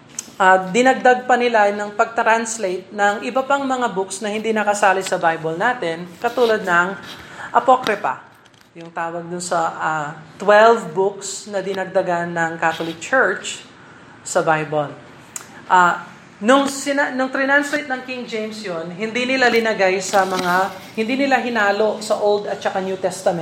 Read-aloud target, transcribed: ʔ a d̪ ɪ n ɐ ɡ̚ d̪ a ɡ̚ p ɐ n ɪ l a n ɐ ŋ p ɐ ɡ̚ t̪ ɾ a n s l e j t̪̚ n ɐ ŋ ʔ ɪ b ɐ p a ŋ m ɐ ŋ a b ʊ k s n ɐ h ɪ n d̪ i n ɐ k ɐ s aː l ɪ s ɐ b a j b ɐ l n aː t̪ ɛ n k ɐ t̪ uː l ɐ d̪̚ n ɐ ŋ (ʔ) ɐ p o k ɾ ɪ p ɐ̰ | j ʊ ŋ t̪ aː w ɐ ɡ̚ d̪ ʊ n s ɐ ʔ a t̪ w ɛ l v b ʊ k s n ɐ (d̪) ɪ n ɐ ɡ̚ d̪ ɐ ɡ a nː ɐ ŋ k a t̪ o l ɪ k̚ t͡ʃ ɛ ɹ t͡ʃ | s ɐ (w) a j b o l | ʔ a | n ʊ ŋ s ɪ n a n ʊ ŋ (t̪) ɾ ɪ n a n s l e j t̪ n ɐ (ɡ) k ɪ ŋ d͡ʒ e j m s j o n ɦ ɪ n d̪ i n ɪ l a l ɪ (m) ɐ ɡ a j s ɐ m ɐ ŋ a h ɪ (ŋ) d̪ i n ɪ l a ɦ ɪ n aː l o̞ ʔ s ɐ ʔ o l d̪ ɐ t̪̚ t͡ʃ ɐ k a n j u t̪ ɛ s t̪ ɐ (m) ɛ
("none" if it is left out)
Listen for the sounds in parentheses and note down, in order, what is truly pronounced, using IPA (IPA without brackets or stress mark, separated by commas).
ʔ, d̪, b, t̪, ŋ, n, n, m